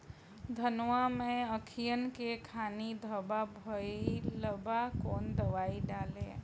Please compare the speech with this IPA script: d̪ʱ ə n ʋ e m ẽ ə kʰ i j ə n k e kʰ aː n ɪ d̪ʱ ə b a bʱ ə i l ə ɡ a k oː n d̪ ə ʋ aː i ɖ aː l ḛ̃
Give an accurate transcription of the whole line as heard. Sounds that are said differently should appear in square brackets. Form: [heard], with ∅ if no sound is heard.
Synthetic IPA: d̪ʱ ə n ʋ [a] m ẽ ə kʰ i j ə n k e kʰ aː n [i] d̪ʱ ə b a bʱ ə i l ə [b] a k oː n d̪ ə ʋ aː i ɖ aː l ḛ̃